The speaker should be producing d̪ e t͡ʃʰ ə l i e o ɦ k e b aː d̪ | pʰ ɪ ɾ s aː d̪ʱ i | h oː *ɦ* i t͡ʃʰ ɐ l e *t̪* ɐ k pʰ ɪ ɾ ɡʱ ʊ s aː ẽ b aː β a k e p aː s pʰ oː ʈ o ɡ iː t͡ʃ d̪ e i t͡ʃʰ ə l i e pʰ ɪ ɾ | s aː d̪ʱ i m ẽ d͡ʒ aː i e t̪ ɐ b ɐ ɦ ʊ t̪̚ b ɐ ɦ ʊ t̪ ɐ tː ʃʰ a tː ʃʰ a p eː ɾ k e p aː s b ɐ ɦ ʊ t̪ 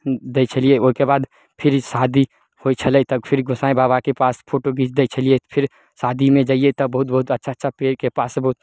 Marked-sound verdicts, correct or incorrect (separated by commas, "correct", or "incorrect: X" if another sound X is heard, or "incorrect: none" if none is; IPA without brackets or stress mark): incorrect: none, correct